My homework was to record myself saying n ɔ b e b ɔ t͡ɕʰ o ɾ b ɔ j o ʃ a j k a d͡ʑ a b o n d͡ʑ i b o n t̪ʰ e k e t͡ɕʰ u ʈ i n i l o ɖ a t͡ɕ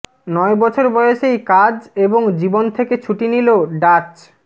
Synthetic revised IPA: n ɔ e b ɔ t͡ɕʰ o ɾ b ɔ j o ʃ e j k a d͡ʑ e b o ŋ d͡ʑ i b o n t̪ʰ e k e t͡ɕʰ u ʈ i n i l o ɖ a t͡ɕ